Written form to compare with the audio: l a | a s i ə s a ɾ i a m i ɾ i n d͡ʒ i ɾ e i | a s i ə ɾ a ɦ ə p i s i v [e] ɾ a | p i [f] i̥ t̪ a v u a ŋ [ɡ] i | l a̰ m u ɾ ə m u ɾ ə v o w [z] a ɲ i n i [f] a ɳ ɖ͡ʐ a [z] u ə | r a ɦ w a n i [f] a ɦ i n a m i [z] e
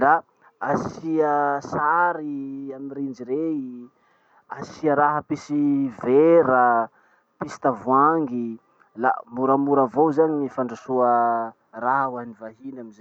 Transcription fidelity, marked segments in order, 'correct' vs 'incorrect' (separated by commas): correct, incorrect, correct, correct, correct, incorrect, incorrect, correct